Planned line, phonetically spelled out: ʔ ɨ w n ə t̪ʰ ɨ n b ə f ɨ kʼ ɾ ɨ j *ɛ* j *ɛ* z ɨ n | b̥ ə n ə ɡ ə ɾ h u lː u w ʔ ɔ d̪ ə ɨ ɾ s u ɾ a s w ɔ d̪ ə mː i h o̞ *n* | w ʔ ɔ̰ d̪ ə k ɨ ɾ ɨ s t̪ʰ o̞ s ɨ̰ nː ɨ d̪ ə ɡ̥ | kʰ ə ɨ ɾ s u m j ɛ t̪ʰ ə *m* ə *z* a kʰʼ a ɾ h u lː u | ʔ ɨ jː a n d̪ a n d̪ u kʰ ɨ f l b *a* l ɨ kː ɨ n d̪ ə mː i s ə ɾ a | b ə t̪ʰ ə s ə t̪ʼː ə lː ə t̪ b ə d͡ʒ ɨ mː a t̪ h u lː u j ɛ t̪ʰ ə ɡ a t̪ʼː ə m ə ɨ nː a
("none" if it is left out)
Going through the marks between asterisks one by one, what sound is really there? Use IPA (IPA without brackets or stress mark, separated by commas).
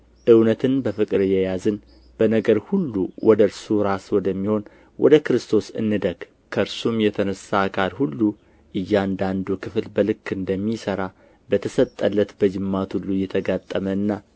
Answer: ɛ, a, n, n, s, ə